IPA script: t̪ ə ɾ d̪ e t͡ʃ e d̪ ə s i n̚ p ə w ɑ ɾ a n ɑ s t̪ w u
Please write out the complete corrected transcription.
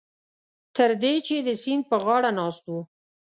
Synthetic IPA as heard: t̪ ə ɾ d̪ e t͡ʃ e d̪ ə s i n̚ p ə ɣ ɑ ɽ a n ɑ s t̪ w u